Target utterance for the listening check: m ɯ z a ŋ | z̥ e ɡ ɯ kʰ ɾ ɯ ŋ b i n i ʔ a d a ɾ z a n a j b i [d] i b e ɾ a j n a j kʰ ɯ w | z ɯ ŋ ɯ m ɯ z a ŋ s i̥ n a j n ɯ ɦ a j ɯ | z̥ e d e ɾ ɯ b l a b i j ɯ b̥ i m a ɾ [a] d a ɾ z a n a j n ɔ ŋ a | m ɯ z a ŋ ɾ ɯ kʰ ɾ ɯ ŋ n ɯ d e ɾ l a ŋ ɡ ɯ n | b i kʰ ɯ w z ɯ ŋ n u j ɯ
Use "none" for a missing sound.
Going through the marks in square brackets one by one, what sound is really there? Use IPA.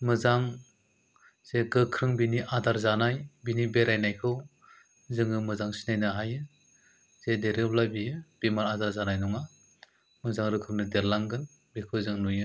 n, a

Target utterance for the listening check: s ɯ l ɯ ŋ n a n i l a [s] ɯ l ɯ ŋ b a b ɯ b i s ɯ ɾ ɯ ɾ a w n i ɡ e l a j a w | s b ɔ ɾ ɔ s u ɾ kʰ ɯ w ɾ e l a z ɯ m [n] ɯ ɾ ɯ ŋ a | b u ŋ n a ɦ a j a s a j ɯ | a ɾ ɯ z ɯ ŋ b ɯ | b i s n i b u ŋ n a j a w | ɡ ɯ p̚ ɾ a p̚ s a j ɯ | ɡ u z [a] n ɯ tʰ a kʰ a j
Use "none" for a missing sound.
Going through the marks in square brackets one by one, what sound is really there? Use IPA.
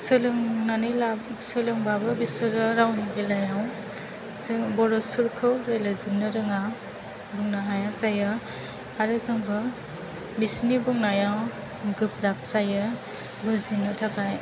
s, n, i

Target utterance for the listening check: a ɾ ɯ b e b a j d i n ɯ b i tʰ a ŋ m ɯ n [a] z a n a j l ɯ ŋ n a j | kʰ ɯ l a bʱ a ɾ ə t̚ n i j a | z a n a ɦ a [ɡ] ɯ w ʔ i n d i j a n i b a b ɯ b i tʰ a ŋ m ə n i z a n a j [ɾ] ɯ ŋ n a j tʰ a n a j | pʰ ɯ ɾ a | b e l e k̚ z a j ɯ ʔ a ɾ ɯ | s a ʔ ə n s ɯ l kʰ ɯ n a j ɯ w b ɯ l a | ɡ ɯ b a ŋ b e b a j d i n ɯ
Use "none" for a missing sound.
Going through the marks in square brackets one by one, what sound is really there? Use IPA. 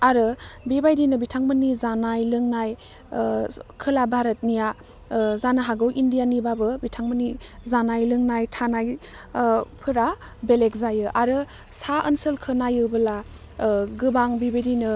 i, ɡ, l

